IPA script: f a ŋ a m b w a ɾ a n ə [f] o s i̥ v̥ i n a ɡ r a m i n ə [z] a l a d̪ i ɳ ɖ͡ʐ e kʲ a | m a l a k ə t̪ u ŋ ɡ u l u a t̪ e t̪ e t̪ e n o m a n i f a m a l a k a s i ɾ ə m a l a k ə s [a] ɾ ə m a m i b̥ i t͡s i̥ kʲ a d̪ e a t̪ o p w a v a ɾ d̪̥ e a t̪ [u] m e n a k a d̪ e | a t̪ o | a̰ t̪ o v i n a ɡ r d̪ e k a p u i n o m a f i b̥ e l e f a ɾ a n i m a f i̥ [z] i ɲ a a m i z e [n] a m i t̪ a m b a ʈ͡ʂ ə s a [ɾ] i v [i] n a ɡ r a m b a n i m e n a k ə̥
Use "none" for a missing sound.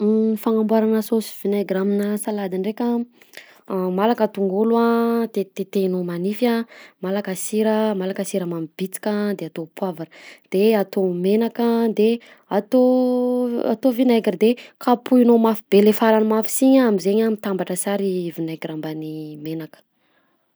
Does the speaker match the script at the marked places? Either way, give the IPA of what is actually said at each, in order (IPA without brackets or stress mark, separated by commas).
s, s, i, o, s, ɲ, ɾ, i